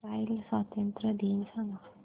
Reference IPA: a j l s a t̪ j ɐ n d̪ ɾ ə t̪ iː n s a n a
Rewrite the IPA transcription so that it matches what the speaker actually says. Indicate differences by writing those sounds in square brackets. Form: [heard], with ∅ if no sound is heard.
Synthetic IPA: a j l s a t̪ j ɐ n [t̪] ɾ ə [d̪] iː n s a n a